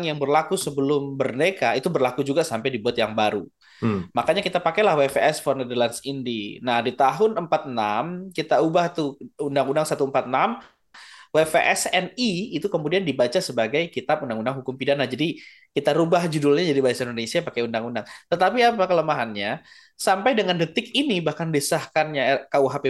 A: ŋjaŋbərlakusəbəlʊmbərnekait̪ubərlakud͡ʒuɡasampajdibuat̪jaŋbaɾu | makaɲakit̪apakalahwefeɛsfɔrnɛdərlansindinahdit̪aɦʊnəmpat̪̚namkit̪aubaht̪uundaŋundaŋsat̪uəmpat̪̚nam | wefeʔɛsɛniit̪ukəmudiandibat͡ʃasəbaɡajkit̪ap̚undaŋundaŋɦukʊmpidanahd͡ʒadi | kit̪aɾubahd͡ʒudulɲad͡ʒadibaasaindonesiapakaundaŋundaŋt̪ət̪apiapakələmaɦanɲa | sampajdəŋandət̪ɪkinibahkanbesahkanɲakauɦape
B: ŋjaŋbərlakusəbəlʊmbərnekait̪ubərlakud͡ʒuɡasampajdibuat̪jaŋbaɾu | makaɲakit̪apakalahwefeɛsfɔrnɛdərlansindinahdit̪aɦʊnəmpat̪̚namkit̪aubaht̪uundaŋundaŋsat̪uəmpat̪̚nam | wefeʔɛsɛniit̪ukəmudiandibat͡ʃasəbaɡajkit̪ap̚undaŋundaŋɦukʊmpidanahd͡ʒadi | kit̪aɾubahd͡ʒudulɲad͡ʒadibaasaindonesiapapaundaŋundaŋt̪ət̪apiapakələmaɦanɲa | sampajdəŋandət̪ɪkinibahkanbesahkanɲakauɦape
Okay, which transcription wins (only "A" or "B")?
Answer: A